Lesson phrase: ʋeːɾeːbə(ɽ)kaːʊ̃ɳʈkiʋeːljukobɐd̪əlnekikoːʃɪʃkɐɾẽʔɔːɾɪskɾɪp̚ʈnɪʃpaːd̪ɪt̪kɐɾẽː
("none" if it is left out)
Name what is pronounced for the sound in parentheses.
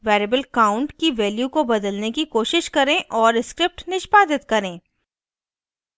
l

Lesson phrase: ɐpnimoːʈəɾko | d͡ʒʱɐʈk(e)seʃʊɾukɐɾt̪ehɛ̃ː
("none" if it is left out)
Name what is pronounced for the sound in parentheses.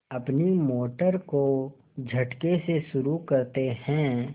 e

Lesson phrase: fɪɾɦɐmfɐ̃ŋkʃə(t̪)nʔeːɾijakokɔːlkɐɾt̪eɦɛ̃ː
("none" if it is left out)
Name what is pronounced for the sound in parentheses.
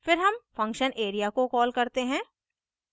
none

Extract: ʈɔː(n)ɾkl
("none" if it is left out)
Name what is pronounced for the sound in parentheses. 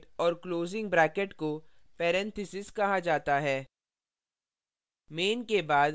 none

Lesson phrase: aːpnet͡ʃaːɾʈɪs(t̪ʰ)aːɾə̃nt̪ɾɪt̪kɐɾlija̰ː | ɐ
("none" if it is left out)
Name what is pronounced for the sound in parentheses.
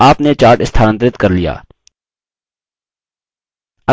t̪ʰ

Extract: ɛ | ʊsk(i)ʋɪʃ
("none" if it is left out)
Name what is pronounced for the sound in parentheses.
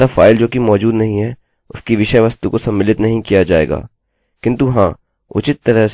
i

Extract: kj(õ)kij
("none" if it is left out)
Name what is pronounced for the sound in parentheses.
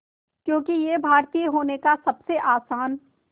õː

